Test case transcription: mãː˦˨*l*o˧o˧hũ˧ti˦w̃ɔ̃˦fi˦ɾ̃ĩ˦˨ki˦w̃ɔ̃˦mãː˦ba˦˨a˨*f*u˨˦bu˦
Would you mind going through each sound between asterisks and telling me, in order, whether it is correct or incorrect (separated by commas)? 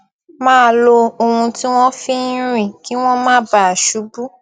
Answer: correct, incorrect